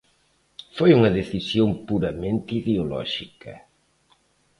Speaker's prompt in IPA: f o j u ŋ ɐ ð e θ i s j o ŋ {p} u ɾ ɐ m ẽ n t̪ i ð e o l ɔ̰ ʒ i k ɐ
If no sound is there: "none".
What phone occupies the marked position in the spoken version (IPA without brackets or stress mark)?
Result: p